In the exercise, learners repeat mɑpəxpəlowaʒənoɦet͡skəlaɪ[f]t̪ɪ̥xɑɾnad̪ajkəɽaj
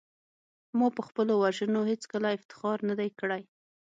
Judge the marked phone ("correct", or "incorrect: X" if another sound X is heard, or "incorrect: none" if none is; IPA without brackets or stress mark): correct